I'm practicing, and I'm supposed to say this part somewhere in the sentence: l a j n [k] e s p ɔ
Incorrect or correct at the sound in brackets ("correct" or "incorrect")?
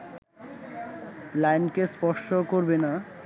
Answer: correct